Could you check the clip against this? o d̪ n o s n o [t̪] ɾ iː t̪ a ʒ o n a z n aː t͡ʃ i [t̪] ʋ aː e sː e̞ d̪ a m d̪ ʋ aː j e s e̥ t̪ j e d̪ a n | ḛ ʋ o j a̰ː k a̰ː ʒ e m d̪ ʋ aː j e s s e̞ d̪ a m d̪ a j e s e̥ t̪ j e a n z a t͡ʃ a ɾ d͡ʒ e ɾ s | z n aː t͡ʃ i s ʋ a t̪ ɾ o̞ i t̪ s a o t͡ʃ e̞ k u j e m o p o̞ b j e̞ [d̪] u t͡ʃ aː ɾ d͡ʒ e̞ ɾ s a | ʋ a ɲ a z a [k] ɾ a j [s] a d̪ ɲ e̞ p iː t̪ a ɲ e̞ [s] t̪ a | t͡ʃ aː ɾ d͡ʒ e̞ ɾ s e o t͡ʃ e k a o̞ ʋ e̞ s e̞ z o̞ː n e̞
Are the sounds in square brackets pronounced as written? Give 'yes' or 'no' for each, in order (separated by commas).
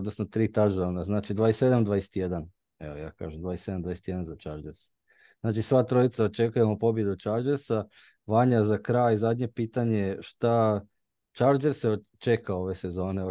yes, no, yes, yes, no, no